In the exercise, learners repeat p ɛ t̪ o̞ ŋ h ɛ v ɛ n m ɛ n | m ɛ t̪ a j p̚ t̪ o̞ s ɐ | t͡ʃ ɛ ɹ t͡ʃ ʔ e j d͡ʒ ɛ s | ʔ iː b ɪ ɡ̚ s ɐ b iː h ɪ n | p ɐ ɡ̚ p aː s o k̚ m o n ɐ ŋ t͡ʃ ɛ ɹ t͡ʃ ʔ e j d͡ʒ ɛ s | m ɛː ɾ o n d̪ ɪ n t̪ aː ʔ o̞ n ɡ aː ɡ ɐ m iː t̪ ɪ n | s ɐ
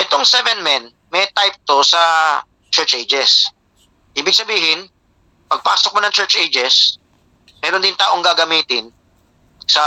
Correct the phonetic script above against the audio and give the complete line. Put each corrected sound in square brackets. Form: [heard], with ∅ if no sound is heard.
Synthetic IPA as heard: [ʔ] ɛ t̪ o̞ ŋ [s] ɛ v ɛ n m ɛ n | m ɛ t̪ a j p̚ t̪ o̞ s ɐ | t͡ʃ ɛ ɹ t͡ʃ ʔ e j d͡ʒ ɛ s | ʔ iː b ɪ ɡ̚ s ɐ b iː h ɪ n | p ɐ ɡ̚ p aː s o k̚ m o n ɐ ŋ t͡ʃ ɛ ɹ t͡ʃ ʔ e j d͡ʒ ɛ s | m ɛː ɾ o n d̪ ɪ n t̪ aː ʔ o̞ [ŋ] ɡ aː ɡ ɐ m iː t̪ ɪ n | s ɐ